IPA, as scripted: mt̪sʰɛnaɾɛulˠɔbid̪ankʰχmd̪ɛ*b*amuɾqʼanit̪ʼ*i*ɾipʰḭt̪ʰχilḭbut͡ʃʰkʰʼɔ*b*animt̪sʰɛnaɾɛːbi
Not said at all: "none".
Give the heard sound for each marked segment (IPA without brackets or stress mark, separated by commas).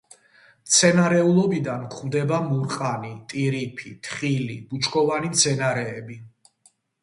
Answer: b, i, v